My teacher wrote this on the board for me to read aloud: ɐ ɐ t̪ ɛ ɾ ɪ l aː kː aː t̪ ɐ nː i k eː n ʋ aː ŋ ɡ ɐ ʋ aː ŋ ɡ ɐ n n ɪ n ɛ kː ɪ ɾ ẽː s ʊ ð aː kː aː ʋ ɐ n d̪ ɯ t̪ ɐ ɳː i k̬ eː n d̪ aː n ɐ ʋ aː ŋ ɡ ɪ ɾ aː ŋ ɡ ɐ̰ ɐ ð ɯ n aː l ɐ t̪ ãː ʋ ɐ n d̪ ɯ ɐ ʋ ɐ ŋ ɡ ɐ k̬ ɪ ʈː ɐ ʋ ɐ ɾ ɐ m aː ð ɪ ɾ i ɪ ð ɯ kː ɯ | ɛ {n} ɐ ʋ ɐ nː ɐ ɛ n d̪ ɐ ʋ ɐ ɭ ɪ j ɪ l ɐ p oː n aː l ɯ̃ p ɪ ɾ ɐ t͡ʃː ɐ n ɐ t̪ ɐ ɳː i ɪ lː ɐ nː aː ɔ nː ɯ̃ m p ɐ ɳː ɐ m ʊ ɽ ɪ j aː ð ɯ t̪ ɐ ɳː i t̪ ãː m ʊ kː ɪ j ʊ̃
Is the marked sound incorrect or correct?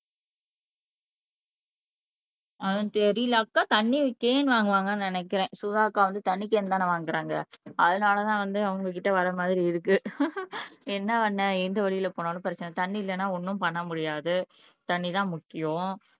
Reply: incorrect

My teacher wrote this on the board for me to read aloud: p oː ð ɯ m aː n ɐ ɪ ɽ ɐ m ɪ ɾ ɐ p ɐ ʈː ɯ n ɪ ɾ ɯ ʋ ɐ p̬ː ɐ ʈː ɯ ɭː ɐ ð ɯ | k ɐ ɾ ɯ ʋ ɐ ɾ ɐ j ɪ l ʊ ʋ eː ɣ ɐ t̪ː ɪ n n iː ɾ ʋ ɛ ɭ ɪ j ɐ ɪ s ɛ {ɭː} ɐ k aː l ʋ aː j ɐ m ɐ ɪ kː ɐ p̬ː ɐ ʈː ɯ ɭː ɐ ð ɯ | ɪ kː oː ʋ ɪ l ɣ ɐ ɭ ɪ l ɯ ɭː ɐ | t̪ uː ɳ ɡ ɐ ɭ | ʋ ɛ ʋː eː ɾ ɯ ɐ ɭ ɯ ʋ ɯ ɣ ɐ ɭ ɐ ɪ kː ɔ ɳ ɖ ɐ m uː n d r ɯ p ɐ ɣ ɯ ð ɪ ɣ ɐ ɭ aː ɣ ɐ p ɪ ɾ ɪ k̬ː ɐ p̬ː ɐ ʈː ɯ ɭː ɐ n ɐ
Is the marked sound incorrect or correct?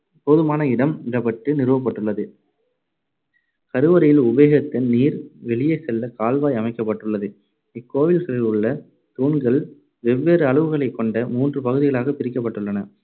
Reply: incorrect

